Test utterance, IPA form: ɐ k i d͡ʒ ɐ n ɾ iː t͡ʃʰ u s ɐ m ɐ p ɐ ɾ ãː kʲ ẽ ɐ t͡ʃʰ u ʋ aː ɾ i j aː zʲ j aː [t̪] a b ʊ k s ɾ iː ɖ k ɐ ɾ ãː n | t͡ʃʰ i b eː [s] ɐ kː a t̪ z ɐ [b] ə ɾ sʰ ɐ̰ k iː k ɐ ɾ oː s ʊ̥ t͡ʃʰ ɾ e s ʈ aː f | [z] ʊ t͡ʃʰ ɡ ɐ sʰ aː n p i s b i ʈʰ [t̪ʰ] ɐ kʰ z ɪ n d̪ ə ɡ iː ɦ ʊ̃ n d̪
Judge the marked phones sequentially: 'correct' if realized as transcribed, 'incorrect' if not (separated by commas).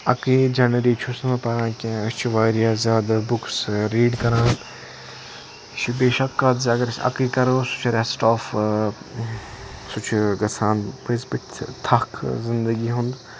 incorrect, incorrect, incorrect, incorrect, correct